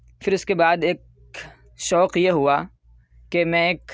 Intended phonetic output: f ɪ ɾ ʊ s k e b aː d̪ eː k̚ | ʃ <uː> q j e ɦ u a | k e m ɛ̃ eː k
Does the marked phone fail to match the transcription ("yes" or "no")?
yes